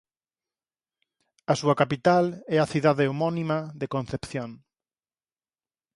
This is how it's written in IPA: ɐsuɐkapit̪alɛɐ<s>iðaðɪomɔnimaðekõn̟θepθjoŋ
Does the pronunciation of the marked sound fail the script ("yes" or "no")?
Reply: yes